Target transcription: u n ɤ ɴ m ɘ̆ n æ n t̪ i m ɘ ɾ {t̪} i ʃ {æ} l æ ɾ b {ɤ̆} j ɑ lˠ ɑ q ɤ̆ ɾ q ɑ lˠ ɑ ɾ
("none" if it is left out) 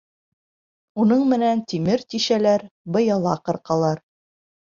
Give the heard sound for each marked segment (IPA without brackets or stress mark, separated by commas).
t̪, æ, ɤ̆